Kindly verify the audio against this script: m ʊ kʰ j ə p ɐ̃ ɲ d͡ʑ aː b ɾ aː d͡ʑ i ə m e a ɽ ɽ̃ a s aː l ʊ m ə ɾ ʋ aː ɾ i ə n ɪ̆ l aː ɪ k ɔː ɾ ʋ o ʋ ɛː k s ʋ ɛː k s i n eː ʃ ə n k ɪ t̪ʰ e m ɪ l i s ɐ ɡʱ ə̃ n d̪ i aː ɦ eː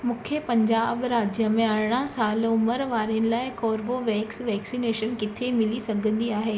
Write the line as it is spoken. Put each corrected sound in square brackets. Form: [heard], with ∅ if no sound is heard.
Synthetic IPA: m ʊ kʰ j ə p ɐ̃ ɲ d͡ʑ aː b ɾ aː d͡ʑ [j] ə m [ẽ] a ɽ ɽ̃ a s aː l ʊ m ə ɾ ʋ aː ɾ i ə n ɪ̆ l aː ɪ k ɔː ɾ ʋ o ʋ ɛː k s ʋ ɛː k s i n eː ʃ ə n k ɪ t̪ʰ e m ɪ l i s ɐ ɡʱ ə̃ n d̪ i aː ɦ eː

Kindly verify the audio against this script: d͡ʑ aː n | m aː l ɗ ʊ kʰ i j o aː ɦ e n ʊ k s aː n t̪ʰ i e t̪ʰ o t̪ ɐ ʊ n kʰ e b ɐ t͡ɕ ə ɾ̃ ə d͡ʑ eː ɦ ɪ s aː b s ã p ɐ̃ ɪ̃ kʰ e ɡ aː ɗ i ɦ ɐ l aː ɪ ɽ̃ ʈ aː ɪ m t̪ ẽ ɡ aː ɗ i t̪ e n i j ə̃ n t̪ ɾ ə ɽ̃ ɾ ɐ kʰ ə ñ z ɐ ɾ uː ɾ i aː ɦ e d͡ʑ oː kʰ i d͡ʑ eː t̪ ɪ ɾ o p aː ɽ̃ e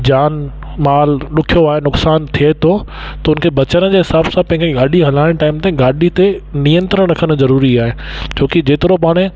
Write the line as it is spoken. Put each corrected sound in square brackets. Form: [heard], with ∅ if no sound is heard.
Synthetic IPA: d͡ʑ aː n | m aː l ɗ ʊ kʰ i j o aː ɦ e n ʊ k s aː n t̪ʰ i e t̪ʰ o t̪ ɐ ʊ n kʰ e b ɐ t͡ɕ ə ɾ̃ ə d͡ʑ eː ɦ ɪ s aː b s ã p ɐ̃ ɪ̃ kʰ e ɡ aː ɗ i ɦ ɐ l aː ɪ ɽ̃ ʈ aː ɪ m t̪ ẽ ɡ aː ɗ i t̪ e n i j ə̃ n t̪ ɾ ə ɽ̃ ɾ ɐ kʰ ə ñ z ɐ ɾ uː ɾ i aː ɦ e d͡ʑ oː [k] i d͡ʑ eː t̪ ɪ ɾ o p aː ɽ̃ e

